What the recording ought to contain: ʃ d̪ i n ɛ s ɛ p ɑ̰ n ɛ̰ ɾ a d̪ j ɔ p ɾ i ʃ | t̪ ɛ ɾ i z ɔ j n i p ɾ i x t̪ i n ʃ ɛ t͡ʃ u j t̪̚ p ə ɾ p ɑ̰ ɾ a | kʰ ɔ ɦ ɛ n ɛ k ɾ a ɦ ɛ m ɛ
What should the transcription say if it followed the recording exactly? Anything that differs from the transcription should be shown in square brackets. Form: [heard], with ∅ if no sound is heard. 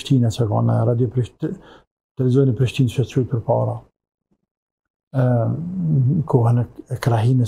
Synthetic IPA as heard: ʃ [t̪] i n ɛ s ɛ [k] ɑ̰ n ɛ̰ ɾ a d̪ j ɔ p ɾ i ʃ | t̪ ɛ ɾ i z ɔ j n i p ɾ i [ʃ] t̪ i n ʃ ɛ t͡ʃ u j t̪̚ p ə ɾ p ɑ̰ ɾ a | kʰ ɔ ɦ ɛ n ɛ k ɾ a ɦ [i] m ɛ